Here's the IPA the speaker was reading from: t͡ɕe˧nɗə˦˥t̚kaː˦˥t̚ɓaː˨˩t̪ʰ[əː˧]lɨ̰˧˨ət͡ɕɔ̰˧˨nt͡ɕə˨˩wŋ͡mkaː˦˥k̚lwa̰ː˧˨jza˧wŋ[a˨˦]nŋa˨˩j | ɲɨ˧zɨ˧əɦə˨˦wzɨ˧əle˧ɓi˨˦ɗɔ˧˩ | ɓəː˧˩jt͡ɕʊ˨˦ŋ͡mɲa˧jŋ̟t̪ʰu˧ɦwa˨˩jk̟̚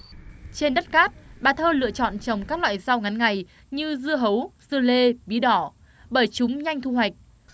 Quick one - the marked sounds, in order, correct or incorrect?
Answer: correct, correct

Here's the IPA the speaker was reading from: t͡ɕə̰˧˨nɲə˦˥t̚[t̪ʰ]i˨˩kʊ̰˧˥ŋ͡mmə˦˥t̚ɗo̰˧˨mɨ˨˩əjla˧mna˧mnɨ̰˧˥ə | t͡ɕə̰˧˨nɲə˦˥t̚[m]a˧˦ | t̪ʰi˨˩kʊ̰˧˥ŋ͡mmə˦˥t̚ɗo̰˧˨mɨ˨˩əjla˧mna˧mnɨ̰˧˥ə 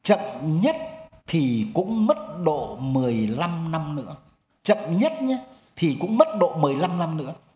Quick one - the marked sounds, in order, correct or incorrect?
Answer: correct, incorrect

